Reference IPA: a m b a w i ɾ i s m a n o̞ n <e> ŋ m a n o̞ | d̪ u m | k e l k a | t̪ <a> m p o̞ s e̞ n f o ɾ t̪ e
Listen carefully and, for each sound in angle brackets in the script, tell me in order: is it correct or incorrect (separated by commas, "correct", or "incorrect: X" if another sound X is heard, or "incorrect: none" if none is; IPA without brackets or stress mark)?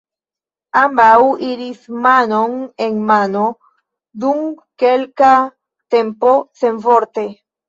correct, incorrect: e